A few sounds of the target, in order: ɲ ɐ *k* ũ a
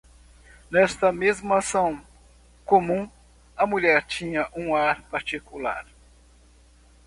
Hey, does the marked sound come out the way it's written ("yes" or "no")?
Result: no